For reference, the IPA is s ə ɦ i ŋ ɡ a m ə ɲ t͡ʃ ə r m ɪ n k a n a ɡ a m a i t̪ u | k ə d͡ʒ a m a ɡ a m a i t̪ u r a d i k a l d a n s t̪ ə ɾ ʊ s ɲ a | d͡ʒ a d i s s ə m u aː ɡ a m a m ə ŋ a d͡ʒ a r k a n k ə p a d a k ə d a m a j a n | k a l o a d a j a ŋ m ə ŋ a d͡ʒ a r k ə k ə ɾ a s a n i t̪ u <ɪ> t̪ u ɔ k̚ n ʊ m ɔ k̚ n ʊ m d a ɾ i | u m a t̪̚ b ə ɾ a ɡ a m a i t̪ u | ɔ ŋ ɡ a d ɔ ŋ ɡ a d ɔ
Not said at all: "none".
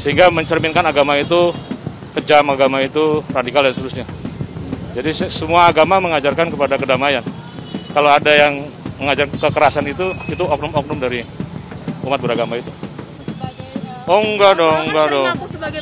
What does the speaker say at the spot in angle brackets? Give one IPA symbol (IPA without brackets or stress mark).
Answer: i